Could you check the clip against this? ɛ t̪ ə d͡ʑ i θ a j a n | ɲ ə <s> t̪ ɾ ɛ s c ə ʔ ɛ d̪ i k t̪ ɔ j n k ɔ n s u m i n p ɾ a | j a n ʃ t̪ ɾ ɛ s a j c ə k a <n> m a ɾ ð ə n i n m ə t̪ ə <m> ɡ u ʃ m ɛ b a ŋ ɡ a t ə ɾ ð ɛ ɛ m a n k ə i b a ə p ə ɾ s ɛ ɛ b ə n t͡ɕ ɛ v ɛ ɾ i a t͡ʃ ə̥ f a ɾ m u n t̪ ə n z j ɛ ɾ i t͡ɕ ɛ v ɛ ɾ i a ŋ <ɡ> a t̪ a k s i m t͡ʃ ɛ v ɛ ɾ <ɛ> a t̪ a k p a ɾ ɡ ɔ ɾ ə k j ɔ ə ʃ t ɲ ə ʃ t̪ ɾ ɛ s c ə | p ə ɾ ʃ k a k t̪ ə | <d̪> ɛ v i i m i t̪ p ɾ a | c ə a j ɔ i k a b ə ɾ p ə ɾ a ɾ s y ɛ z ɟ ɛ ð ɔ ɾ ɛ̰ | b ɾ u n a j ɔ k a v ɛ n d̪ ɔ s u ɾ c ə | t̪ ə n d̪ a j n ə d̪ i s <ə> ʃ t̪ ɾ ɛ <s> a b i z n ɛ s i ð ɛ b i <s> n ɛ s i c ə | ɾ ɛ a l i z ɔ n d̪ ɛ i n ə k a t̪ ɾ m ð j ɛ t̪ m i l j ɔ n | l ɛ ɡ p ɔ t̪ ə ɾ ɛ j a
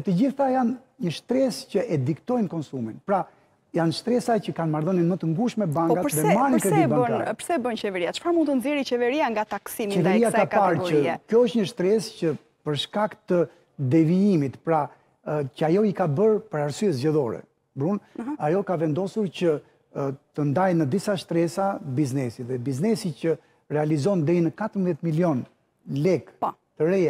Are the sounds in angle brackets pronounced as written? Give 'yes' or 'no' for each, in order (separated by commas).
no, yes, no, yes, no, yes, no, yes, no